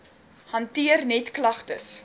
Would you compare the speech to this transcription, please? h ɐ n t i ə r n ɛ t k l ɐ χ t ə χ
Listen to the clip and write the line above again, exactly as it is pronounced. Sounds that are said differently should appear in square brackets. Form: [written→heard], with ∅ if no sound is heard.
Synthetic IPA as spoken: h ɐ n t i ə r n ɛ t k l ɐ χ t ə [χ→s]